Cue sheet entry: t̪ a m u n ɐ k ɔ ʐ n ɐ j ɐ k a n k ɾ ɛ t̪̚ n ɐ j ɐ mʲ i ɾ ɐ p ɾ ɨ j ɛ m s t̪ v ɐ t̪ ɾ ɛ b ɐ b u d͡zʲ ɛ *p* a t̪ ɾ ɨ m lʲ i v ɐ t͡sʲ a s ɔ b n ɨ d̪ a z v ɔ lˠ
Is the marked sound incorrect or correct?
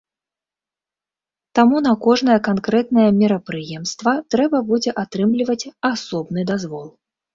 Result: incorrect